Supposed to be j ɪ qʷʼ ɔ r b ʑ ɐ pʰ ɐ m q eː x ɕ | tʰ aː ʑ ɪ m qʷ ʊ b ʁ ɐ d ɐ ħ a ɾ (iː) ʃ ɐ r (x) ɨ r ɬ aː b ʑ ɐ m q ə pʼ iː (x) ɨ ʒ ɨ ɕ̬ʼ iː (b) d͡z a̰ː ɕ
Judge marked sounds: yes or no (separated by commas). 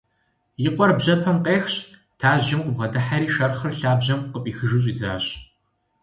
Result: yes, no, yes, no